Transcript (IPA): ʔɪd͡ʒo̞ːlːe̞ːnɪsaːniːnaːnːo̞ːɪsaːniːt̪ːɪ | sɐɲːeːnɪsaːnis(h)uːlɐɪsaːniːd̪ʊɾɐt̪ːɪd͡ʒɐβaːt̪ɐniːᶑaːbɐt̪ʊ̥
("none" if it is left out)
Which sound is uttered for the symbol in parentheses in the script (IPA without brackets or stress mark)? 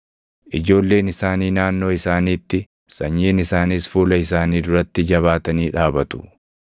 f